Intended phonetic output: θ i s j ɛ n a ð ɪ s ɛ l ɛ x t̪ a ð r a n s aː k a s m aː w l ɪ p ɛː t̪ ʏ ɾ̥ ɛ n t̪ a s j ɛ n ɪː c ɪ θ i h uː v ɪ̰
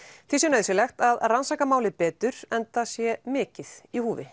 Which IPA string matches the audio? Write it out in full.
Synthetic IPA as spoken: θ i s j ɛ n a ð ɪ s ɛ l ɛ x t̪ a ð r a n s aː k a m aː w l ɪ p ɛː t̪ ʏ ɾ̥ ɛ n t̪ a s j ɛ m ɪː c ɪ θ i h uː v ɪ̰